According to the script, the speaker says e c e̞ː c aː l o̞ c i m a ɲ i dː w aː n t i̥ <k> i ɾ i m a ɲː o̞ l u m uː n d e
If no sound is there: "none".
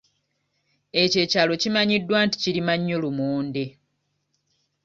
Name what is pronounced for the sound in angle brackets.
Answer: c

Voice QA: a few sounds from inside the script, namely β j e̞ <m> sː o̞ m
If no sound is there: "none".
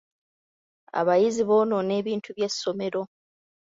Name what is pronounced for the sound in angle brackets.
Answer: none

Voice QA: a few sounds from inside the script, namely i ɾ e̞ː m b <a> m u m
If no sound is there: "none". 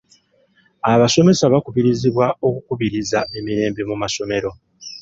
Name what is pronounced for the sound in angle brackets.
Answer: e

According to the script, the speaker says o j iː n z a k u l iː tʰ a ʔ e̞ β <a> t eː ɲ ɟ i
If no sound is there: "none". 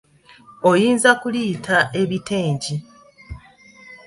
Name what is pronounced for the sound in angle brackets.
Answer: i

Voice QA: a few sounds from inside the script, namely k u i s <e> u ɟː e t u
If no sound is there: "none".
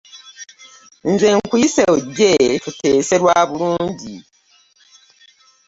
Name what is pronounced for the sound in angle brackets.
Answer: e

